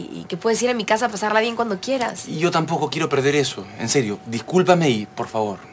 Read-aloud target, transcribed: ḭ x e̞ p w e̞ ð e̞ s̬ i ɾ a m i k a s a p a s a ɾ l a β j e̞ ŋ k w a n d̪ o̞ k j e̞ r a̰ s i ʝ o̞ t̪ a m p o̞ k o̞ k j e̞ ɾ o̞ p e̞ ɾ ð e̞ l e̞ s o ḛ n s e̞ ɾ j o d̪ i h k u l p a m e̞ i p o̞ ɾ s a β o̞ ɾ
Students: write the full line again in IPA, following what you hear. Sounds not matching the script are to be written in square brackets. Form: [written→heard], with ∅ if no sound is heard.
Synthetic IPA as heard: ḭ [x→k] e̞ p w e̞ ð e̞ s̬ i ɾ a m i k a s a p a s a ɾ l a β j e̞ ŋ k w a n d̪ o̞ k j e̞ [r→ɾ] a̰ s i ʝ o̞ t̪ a m p o̞ k o̞ k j e̞ ɾ o̞ p e̞ ɾ ð e̞ [l→ɾ] e̞ s o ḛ n s e̞ ɾ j o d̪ i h k u l p a m e̞ i p o̞ ɾ [s→f] a β o̞ ɾ